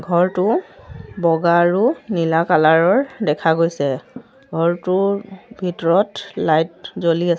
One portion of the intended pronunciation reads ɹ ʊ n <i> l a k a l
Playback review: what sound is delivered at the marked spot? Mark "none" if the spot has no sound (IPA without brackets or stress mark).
i